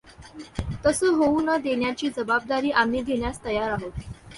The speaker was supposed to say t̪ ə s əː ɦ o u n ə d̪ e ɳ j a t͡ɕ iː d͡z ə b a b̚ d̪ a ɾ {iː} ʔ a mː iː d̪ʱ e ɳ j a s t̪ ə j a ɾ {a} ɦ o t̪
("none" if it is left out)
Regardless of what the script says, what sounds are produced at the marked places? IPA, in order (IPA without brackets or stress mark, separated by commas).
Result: iː, a